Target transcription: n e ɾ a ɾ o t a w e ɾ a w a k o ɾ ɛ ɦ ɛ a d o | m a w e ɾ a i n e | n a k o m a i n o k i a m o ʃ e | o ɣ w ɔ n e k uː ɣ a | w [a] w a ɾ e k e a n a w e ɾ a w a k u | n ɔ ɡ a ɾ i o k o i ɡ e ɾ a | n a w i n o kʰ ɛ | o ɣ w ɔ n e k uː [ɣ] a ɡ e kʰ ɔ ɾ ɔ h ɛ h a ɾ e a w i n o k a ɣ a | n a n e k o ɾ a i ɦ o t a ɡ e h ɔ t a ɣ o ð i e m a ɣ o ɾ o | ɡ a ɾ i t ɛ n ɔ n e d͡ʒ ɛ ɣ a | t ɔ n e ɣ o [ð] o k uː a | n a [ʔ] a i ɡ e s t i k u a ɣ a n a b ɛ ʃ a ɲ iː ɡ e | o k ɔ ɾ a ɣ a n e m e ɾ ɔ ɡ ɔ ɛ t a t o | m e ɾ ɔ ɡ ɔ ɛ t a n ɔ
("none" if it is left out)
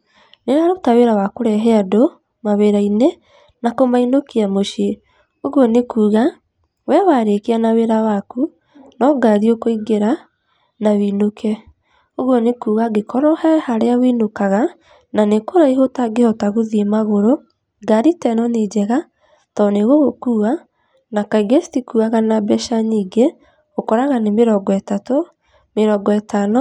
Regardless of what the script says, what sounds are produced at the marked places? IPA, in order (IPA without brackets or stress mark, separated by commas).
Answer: ɛ, ɣ, ɣ, k